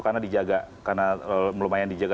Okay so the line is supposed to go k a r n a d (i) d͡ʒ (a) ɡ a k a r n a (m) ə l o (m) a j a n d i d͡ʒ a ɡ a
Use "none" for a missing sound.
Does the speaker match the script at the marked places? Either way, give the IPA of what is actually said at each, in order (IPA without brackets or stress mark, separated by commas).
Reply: i, a, m, m